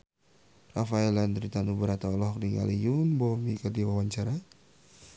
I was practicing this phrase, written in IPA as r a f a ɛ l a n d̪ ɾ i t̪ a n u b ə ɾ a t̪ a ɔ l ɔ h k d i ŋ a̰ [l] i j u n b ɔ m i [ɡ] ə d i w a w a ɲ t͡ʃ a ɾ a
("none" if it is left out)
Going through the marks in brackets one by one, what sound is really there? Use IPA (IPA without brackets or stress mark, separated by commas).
l, k